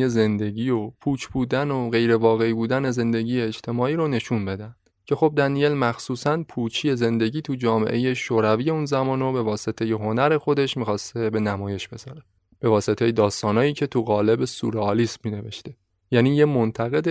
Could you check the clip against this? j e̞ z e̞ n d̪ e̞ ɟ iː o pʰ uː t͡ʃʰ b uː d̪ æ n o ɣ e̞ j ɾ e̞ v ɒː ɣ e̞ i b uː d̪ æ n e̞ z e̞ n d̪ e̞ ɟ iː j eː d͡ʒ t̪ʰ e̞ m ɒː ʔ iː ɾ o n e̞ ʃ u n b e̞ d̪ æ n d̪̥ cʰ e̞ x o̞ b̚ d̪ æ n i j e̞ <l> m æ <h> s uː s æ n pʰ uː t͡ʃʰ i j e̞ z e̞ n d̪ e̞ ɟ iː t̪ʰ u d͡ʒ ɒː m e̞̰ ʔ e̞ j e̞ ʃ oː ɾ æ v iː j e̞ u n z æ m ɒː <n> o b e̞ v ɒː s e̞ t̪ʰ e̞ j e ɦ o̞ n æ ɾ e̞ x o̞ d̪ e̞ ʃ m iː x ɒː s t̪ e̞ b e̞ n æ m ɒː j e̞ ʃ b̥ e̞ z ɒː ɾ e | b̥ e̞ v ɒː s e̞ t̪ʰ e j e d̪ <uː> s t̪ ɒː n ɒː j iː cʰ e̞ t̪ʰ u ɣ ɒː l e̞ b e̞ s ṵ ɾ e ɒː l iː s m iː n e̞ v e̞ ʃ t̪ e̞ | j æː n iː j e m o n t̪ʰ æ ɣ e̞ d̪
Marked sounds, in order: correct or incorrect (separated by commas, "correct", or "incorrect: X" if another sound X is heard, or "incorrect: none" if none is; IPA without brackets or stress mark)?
correct, incorrect: x, correct, incorrect: ɒː